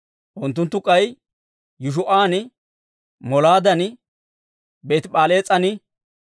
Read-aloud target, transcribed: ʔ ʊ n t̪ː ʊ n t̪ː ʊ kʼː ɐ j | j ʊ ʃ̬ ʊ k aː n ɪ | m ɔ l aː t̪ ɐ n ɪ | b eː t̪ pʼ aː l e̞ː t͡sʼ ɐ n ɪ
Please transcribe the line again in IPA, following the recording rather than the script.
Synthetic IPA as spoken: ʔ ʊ n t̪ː ʊ n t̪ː ʊ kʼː ɐ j | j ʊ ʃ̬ ʊ ʔ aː n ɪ | m ɔ l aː d̪ ɐ n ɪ | b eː t̪ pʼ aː l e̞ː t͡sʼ ɐ n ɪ